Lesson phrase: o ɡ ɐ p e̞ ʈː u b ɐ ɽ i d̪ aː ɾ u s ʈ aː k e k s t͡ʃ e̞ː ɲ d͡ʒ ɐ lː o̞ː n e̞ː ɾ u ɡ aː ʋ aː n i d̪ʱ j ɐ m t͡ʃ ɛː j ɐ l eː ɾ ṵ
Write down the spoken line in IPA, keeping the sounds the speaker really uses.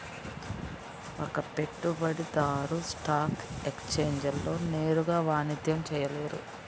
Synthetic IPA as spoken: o k ɐ p e̞ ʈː u b ɐ ɽ i d̪ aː ɾ u s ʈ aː k e k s t͡ʃ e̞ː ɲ d͡ʒ ɐ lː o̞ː n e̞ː ɾ u ɡ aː ʋ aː n i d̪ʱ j ɐ m t͡ʃ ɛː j ɐ l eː ɾ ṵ